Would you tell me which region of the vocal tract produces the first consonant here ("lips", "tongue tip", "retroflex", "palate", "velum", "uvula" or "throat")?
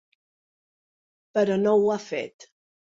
lips